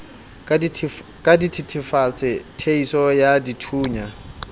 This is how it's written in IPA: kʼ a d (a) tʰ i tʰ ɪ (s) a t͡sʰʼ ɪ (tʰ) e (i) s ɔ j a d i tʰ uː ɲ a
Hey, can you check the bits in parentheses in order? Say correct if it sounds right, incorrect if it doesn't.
incorrect, incorrect, correct, correct

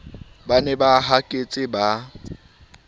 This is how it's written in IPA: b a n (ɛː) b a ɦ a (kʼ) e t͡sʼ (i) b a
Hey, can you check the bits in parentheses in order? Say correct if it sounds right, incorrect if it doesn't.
incorrect, correct, incorrect

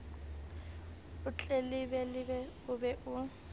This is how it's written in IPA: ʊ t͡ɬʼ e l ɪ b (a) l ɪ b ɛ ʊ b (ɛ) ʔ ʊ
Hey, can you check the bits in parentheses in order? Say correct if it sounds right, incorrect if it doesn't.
incorrect, correct

